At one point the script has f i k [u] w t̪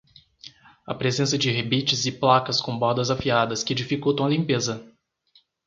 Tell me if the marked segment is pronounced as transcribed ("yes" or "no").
no